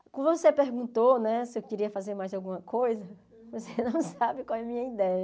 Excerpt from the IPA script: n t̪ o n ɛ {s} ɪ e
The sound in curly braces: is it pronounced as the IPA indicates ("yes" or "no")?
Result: yes